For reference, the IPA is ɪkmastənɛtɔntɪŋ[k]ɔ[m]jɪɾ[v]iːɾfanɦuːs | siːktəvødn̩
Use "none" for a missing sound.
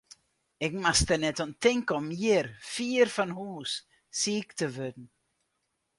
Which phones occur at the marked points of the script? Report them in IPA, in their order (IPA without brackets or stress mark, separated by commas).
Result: k, m, f